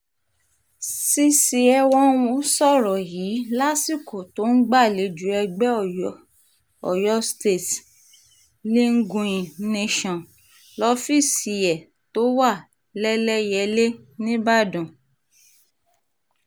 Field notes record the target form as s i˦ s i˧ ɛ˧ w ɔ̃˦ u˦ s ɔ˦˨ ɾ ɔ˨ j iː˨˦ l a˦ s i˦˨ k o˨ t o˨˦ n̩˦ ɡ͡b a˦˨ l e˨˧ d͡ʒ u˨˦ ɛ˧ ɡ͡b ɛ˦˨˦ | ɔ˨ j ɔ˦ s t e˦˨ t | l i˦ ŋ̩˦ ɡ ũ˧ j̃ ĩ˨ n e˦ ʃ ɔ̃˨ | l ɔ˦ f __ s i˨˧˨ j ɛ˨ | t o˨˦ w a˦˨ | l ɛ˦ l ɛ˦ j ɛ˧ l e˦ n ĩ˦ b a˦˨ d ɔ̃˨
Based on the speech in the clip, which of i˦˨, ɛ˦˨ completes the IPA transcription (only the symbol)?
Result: i˦˨